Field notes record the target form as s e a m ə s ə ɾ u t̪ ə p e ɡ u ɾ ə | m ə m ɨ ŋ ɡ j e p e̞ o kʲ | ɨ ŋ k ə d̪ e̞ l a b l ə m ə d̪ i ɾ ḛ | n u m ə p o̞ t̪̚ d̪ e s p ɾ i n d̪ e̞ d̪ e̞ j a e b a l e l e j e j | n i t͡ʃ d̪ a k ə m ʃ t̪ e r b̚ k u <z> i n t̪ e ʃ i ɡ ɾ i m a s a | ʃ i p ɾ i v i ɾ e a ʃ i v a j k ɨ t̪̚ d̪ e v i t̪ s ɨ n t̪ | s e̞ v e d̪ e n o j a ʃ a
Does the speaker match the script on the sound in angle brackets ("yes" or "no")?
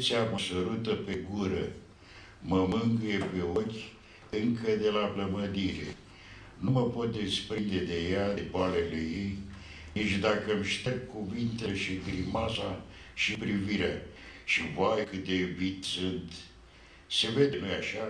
no